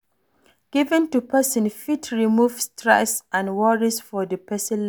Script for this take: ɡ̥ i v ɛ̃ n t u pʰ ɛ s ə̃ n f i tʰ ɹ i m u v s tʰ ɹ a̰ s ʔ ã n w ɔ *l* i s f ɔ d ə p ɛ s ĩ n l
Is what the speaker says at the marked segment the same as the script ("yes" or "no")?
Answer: no